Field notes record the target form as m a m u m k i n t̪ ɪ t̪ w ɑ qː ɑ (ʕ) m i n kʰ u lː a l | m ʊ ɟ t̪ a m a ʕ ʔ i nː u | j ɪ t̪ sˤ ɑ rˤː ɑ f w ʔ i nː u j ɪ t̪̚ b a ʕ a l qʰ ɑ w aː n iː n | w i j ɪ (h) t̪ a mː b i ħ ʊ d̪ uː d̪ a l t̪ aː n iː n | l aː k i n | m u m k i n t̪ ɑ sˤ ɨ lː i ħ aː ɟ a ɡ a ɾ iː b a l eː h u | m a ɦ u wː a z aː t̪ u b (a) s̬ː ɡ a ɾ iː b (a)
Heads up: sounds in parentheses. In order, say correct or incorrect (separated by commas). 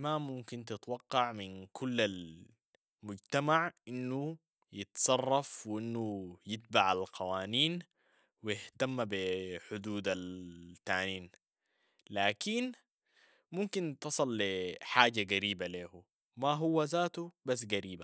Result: correct, correct, correct, correct